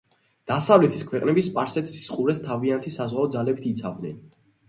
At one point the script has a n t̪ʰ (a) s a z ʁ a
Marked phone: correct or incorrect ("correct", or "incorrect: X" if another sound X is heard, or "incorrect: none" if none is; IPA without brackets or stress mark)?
incorrect: i